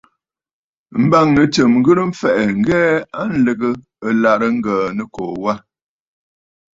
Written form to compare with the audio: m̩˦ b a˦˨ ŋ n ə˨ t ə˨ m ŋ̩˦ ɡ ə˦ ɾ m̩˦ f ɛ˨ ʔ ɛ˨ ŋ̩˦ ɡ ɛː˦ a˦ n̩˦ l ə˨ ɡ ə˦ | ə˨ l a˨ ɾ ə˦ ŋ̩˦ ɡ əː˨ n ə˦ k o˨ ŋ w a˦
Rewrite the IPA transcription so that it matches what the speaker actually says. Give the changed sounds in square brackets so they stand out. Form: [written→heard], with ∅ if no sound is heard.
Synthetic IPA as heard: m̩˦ b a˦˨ ŋ n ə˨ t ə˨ m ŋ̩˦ ɡ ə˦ ɾ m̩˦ f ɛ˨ ʔ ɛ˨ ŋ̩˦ ɡ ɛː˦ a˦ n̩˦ l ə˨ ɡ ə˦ | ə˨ l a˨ ɾ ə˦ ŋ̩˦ ɡ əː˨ n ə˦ k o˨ [ŋ→∅] w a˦